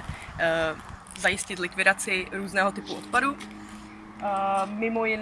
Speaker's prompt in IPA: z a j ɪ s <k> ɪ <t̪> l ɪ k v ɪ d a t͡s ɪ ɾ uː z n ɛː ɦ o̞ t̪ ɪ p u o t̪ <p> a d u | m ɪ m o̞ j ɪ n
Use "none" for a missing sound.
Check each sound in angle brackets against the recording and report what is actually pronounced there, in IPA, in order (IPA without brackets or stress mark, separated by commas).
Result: c, t̪, p